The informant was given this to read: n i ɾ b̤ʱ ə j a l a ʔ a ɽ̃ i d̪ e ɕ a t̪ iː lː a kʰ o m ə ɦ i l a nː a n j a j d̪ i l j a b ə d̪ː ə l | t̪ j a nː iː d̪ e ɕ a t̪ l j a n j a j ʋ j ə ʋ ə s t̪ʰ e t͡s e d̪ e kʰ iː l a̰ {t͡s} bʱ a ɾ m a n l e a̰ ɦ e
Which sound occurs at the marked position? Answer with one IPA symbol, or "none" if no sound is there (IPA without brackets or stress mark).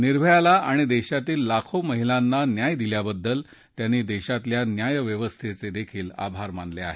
none